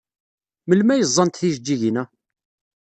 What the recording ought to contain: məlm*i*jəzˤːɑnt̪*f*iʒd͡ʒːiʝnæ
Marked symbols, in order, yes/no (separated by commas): no, no